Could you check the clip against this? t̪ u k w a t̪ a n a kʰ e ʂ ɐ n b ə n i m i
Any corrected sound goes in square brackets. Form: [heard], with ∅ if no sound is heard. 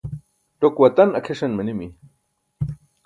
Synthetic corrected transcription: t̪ [o] k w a t̪ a n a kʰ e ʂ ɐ n [m] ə n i m i